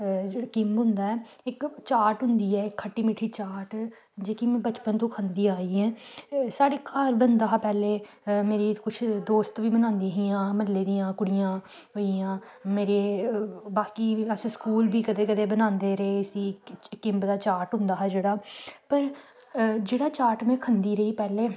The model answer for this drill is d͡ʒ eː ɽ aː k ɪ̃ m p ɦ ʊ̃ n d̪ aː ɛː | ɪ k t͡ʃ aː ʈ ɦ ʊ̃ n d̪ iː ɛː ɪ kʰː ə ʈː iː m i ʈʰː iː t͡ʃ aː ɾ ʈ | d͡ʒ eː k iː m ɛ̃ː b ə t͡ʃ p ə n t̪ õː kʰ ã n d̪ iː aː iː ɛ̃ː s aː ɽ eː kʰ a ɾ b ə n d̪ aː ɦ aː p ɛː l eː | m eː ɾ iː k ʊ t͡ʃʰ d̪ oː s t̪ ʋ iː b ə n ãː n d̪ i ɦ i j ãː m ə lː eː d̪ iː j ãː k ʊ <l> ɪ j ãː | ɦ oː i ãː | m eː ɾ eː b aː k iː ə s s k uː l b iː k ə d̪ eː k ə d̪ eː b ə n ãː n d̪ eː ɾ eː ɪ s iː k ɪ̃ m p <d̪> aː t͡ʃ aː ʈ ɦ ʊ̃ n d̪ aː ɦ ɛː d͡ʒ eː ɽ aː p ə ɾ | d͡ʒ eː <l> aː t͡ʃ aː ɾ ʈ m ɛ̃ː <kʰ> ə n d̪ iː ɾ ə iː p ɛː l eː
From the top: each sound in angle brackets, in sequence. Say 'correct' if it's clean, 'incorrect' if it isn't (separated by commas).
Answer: incorrect, correct, incorrect, correct